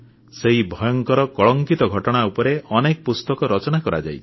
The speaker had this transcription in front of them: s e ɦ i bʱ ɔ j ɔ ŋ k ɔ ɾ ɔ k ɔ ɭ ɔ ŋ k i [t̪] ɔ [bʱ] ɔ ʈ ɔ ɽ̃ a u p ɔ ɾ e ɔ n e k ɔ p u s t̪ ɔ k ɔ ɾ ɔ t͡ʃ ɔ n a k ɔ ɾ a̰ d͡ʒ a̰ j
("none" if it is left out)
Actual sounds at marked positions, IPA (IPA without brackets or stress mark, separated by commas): t̪, ɡʱ